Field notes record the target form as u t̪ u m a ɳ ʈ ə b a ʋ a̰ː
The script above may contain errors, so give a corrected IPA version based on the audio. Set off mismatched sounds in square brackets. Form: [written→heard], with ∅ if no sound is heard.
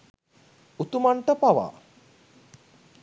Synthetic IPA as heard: u t̪ u m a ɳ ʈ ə [b→p] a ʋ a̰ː